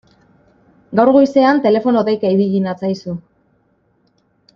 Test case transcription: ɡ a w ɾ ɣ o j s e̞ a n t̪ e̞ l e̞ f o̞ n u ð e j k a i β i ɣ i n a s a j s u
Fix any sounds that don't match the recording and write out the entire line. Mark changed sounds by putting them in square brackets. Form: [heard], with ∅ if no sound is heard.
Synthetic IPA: ɡ a w ɾ ɣ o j s e̞ a n t̪ e̞ l e̞ f o̞ n [o] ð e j k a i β i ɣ i n a [t͡s] a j s u

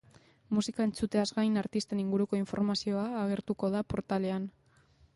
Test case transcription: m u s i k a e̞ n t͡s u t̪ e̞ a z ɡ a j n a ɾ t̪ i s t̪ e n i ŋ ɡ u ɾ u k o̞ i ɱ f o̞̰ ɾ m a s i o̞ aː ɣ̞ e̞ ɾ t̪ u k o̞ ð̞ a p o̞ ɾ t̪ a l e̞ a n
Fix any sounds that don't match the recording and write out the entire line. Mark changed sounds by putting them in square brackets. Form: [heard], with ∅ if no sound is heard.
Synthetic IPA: m u s i k a e̞ n t͡s u t̪ e̞ a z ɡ a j n a ɾ t̪ i s t̪ e n i ŋ ɡ u ɾ u k o̞ i ɱ f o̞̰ ɾ m a s i o̞ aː ɣ̞ e̞ ɾ t̪ u k o̞ ð̞ a p o̞ ɾ t̪ a l e̞ a n

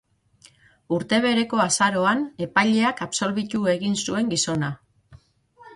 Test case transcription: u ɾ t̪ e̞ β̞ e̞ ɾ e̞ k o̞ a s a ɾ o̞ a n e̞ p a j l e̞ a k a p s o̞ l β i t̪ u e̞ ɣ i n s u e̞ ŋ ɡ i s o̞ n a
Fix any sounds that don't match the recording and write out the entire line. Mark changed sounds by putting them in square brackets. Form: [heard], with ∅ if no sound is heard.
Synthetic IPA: u ɾ t̪ e̞ β̞ e̞ ɾ e̞ k o̞ a s a ɾ o̞ a n e̞ p a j [ʎ] e̞ a k a p s o̞ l β i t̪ u e̞ ɣ i n s u e̞ ŋ ɡ i s o̞ n a

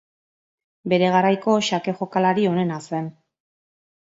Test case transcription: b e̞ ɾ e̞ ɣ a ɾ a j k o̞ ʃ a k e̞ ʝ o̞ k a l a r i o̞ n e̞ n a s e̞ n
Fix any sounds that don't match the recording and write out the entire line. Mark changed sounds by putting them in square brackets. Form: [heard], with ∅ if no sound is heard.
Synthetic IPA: b e̞ ɾ e̞ ɣ a ɾ a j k o̞ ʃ a k e̞ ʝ o̞ k a l a [ɾ] i o̞ n e̞ n a s e̞ n

